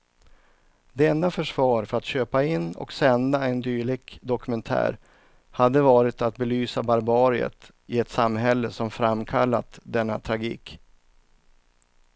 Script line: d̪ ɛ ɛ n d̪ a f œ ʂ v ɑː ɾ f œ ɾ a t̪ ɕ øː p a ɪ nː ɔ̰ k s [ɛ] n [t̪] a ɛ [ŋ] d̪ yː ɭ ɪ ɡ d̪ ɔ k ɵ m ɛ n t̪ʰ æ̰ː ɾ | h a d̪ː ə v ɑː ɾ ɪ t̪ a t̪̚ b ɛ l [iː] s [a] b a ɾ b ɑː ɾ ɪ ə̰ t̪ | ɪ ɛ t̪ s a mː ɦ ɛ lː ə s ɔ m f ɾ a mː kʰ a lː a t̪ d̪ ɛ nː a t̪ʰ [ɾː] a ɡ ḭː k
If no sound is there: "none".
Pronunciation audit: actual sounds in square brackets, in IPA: ɛ, d̪, n, yː, a, ɾ

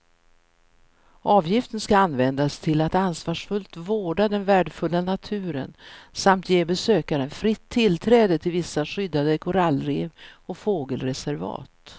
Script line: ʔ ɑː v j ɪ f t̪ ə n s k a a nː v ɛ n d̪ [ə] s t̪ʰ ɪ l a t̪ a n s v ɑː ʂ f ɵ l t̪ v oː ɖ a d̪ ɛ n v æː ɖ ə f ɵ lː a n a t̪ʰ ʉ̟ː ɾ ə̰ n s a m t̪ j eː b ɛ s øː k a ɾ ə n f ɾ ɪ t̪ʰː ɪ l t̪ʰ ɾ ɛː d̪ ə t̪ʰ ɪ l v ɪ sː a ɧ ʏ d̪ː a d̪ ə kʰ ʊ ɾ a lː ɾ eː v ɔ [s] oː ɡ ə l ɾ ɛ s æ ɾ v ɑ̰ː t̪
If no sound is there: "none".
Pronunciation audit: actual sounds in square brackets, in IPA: a, f

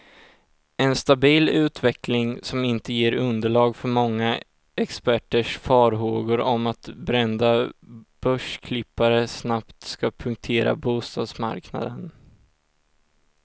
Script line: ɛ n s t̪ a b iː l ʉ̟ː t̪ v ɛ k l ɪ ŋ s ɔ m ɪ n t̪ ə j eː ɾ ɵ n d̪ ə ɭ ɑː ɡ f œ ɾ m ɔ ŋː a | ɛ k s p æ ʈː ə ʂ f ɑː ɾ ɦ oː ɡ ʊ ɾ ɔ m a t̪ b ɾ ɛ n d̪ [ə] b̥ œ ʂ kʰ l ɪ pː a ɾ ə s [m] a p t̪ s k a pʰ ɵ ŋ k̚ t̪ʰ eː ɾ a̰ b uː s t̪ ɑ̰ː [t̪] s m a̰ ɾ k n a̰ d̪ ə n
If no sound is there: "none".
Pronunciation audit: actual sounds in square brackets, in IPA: a, n, d̪

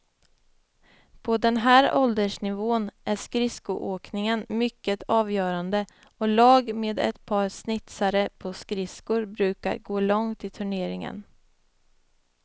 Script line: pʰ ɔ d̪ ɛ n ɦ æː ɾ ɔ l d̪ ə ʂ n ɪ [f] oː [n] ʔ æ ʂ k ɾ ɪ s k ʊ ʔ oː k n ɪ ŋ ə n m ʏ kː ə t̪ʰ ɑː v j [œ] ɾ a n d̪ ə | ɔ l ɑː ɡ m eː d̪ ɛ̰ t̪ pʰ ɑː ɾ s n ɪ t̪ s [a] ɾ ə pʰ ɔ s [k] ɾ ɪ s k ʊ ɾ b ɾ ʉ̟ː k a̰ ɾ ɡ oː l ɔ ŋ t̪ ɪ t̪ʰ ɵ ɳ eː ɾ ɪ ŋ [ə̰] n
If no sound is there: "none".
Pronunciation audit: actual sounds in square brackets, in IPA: v, n, œː, a, k, ə̰

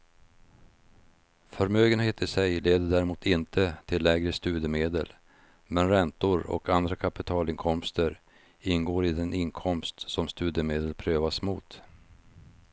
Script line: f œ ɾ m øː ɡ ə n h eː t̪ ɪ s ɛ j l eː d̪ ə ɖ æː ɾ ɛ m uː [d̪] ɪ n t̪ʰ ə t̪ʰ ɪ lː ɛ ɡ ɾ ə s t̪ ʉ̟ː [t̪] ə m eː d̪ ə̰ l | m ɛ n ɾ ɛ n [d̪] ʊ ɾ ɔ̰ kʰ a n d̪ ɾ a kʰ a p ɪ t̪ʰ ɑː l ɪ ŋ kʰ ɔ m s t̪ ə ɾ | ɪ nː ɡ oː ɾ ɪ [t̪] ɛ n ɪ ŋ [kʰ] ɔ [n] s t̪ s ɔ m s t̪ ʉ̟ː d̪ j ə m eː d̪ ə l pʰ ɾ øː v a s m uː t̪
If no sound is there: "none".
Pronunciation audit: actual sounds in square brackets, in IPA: t̪, d̪, t̪, d̪, kʰ, m

